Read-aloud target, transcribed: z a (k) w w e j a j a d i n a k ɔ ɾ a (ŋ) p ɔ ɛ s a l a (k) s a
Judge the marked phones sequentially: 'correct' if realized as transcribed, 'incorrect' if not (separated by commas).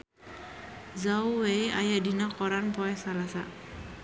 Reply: incorrect, incorrect, incorrect